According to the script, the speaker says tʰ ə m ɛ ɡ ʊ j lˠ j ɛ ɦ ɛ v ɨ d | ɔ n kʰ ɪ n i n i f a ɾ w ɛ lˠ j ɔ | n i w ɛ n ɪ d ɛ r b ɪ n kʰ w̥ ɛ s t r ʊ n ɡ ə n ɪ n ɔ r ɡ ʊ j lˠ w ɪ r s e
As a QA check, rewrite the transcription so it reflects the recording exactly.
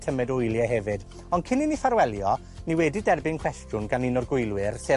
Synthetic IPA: tʰ ə m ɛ d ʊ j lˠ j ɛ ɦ ɛ v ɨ d | ɔ n kʰ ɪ n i n i f a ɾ w ɛ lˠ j ɔ | n i w ɛ d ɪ d ɛ r b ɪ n kʰ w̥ ɛ s t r ʊ n ɡ a n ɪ n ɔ r ɡ ʊ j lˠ w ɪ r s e